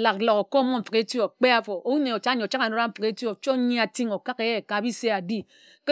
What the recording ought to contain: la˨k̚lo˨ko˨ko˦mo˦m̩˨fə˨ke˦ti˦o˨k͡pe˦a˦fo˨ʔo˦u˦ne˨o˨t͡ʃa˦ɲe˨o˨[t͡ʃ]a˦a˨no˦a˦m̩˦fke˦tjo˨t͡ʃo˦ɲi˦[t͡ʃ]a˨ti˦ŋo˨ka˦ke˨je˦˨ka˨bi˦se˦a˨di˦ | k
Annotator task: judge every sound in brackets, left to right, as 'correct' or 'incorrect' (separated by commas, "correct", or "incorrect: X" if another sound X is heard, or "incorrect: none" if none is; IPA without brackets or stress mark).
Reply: correct, incorrect: none